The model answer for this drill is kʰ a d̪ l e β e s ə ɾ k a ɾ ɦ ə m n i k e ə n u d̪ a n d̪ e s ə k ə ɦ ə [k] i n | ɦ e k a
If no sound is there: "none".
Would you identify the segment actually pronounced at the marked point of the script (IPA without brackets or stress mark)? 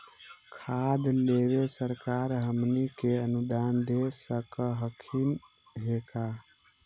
kʰ